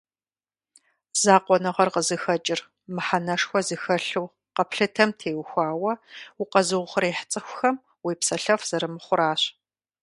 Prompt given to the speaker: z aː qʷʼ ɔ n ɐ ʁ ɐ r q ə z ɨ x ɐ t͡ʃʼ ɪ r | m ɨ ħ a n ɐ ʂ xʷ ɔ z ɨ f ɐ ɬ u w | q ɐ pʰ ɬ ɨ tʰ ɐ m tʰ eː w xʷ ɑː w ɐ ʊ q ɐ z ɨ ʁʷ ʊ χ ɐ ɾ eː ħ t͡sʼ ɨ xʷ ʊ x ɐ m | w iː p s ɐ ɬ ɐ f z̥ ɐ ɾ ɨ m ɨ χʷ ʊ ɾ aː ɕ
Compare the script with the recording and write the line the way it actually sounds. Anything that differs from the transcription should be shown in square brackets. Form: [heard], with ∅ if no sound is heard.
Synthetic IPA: z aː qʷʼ ɔ n ɐ ʁ ɐ r q ə z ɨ x ɐ t͡ʃʼ ɪ r | m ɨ ħ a n ɐ ʂ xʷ ɔ z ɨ [x] ɐ ɬ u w | q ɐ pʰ ɬ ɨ tʰ ɐ m tʰ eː w xʷ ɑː w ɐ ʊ q ɐ z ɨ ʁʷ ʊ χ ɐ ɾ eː ħ t͡sʼ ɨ xʷ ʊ x ɐ m | w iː p s ɐ ɬ ɐ f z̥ ɐ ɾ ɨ m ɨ χʷ ʊ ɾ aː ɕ